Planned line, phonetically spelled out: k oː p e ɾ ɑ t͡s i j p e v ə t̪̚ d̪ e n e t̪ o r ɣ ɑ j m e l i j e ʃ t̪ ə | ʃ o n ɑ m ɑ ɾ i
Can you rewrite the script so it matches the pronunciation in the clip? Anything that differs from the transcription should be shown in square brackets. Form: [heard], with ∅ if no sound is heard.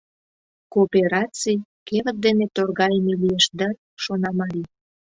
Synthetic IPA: k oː p e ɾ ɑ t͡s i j [k] e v ə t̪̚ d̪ e n e t̪ o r ɣ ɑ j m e l i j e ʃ [d̪] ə | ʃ o n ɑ m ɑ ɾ i